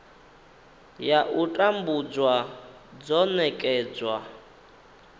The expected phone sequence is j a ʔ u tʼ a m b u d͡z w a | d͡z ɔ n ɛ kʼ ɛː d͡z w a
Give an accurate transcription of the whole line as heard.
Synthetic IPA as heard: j a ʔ u tʼ a m b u d͡z w a | d͡z ɔ n ɛ kʼ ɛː d͡z w a